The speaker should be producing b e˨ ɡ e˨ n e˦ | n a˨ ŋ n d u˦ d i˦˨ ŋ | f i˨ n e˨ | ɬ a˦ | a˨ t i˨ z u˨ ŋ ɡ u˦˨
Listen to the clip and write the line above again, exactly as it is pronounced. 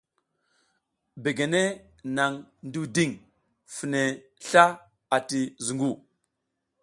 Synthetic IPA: b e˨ ɡ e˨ n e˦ | n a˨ ŋ n d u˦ d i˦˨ ŋ | f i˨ n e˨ | ɬ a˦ | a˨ t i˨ z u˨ ŋ ɡ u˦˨